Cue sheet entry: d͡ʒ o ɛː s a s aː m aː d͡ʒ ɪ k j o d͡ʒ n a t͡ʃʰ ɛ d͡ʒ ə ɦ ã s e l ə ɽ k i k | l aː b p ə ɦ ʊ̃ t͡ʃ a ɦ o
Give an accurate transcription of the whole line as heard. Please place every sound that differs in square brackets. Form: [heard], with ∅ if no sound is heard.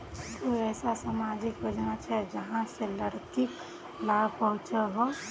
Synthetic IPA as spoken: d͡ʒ o ɛː s a s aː m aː d͡ʒ ɪ k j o d͡ʒ n a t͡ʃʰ ɛ d͡ʒ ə ɦ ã s e l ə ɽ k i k | l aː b p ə ɦ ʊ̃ t͡ʃ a ɦ o